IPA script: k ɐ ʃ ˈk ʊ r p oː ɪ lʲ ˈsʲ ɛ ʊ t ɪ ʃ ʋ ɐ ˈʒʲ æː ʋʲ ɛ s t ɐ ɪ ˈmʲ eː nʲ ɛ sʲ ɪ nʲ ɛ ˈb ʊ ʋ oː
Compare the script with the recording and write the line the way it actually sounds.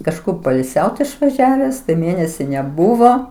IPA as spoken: k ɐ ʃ ˈk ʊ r p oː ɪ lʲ ˈsʲ ɛ ʊ t ɪ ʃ ʋ ɐ ˈʒʲ æː ʋʲ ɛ s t ɐ ɪ ˈmʲ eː nʲ ɛ sʲ ɪ nʲ ɛ ˈb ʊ ʋ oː